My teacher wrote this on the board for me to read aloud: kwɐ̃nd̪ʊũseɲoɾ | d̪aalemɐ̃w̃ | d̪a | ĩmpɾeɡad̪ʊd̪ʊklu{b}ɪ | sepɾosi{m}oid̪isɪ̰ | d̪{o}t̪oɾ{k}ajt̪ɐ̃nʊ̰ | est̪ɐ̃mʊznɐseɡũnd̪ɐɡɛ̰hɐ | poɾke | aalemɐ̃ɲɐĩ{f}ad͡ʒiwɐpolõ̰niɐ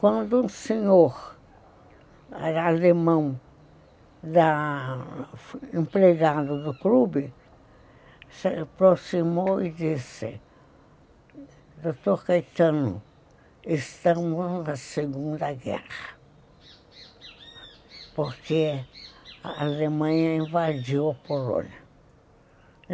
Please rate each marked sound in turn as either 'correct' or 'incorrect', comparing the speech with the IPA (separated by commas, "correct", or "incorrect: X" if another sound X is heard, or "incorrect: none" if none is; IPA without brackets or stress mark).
correct, correct, correct, correct, incorrect: v